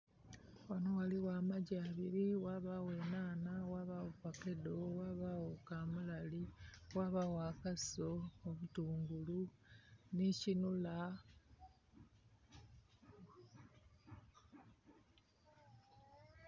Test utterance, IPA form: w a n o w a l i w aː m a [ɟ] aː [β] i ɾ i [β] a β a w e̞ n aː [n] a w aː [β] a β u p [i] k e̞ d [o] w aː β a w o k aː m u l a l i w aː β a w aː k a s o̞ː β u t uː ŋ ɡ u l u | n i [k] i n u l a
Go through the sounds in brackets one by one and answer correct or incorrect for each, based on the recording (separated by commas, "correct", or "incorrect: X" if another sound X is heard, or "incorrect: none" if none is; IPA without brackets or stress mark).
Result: correct, correct, incorrect: w, correct, correct, incorrect: a, correct, incorrect: c